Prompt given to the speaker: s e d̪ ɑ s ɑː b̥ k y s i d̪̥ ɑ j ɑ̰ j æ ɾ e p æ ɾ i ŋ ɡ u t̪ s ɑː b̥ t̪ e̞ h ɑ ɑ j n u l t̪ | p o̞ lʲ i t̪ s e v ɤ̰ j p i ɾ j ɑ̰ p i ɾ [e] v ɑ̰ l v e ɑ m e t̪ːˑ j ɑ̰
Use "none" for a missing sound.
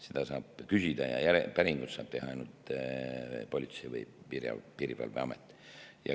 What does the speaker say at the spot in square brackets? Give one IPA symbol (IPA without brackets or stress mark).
i